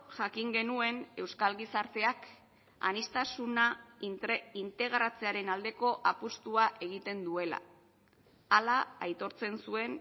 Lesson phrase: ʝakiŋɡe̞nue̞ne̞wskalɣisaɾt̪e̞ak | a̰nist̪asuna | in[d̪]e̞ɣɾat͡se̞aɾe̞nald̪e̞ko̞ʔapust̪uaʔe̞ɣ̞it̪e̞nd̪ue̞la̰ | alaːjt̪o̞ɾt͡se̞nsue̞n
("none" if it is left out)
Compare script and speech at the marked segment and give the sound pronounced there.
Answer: t̪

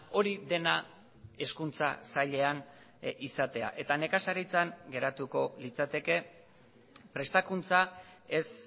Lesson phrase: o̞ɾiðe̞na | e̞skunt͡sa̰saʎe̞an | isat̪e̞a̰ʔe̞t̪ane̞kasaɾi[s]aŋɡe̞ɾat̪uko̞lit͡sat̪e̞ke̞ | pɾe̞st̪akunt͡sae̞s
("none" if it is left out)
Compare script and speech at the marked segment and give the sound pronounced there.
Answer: t͡s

